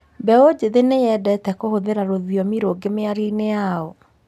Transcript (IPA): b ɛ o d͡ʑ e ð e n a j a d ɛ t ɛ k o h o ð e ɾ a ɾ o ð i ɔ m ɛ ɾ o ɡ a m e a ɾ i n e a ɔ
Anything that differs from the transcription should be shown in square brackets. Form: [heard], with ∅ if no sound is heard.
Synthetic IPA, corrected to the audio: b ɛ o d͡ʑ e ð e n [e] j [ɛ] d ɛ t ɛ k o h o ð e ɾ a ɾ o ð i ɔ m [i] ɾ o ɡ [e] m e a ɾ i n e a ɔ